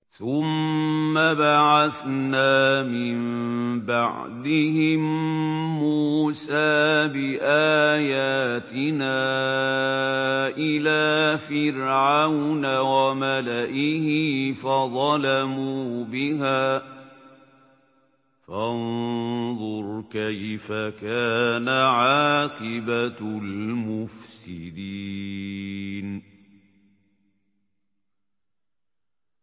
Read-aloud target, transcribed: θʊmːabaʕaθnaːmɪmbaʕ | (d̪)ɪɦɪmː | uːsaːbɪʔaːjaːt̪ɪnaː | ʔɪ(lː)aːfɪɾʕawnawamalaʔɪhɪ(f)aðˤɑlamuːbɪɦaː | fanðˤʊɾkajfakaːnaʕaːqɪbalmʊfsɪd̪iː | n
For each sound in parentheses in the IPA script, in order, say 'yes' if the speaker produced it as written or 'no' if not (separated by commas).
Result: yes, no, yes